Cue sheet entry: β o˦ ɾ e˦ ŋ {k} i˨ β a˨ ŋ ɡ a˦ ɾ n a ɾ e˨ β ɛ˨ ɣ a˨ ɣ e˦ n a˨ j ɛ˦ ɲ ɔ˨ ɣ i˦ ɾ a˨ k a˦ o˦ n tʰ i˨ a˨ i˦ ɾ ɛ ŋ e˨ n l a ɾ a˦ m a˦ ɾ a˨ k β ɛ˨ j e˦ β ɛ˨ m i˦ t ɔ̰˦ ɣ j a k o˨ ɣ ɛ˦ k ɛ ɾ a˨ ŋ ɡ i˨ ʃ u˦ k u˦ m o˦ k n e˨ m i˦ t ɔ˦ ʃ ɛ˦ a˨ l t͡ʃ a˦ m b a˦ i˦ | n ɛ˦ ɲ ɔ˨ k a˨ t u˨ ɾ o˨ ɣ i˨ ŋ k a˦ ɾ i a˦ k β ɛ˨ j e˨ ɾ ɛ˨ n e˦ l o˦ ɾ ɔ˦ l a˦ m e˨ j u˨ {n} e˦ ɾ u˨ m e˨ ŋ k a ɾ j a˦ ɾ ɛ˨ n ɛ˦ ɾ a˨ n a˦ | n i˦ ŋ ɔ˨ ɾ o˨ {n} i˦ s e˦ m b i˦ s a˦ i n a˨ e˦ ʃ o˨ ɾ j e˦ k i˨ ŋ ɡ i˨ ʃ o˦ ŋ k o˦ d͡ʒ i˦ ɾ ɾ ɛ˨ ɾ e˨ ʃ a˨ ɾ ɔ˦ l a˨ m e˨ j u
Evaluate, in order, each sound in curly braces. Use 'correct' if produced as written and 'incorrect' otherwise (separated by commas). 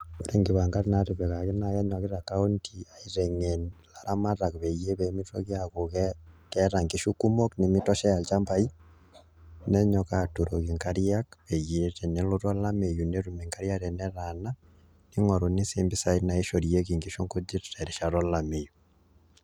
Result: incorrect, correct, correct